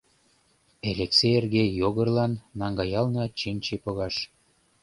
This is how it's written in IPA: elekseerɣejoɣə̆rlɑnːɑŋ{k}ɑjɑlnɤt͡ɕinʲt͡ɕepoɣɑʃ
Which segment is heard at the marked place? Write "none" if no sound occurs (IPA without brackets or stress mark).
ɡ